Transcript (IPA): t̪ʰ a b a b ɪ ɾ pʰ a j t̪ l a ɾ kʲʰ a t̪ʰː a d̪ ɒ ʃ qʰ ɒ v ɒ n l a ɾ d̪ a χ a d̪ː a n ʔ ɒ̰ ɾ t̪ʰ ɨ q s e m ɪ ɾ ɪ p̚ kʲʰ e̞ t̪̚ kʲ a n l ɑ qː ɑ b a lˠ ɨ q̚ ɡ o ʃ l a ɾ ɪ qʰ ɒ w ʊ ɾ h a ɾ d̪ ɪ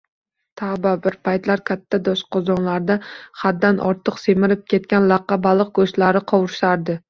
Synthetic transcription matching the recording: t̪ʰ a b a b ɪ ɾ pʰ a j t̪ l a ɾ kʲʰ a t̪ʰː a d̪ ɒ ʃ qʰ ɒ z ɒ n l a ɾ d̪ a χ a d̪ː a n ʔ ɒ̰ ɾ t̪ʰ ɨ q s e m ɪ ɾ ɪ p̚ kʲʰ e̞ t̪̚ kʲ a n l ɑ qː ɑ b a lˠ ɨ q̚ ɡ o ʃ l a ɾ ɪ qʰ ɒ w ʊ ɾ ʃ a ɾ d̪ ɪ